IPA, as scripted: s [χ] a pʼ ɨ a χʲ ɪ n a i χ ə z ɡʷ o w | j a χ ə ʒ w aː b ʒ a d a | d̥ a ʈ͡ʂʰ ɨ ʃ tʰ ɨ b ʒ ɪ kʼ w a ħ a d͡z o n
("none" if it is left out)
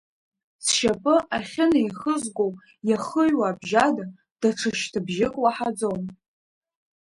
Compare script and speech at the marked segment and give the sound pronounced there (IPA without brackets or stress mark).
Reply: ʃ